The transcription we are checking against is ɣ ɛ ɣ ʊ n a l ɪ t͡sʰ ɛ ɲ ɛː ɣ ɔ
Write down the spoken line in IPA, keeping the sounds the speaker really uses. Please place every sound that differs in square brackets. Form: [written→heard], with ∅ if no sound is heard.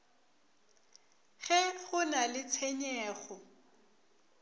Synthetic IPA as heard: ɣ ɛ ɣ ʊ n a l ɪ t͡sʰ ɛ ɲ ɛː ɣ ɔ